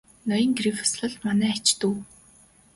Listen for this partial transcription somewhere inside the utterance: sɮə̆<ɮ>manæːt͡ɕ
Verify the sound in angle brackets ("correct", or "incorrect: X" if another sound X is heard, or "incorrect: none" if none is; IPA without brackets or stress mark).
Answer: correct